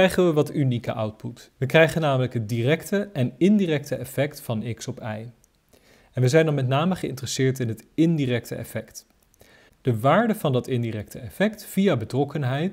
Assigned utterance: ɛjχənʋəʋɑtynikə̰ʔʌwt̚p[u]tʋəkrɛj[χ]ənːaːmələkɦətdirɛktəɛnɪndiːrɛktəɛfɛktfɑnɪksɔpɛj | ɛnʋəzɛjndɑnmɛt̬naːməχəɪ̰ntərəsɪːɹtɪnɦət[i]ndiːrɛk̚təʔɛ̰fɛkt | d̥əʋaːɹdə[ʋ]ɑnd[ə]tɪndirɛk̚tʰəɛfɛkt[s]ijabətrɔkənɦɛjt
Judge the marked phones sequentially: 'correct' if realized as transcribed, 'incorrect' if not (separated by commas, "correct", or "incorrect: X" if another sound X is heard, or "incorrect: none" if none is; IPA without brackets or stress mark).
correct, correct, incorrect: ɪ, incorrect: v, incorrect: ɑ, incorrect: f